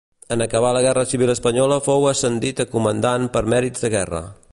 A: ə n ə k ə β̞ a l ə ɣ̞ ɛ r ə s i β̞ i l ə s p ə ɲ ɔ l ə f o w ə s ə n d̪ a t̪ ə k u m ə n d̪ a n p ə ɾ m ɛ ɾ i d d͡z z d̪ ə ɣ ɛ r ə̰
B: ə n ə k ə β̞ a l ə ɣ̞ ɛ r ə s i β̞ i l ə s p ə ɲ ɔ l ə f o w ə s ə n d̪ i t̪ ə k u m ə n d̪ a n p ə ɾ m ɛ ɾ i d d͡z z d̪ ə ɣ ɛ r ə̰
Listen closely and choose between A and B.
B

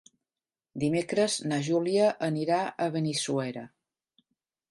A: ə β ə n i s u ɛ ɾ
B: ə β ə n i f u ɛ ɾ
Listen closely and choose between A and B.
A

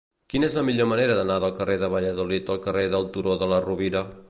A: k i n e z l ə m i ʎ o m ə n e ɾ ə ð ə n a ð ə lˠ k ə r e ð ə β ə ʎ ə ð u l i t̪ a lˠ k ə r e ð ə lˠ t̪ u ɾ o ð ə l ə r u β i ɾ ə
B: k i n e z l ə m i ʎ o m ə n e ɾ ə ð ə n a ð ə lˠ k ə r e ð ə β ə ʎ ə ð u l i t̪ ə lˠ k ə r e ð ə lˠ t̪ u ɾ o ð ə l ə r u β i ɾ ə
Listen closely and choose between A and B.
B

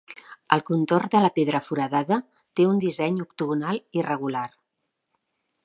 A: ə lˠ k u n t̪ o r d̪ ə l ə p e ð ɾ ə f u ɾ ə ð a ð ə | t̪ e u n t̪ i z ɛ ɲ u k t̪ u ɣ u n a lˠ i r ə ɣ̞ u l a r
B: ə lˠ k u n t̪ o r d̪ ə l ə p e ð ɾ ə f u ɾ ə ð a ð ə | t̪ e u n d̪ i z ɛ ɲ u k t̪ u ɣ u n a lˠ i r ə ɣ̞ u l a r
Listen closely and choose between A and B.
B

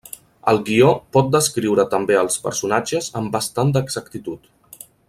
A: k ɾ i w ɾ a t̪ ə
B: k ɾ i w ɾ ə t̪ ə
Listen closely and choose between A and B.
B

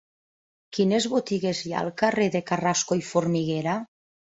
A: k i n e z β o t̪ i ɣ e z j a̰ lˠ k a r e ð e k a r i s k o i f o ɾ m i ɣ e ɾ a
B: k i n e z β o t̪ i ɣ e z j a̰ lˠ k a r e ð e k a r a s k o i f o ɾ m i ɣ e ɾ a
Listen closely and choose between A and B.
B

